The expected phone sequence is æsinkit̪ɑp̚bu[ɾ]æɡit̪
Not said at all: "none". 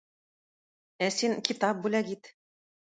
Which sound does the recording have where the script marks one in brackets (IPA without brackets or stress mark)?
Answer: l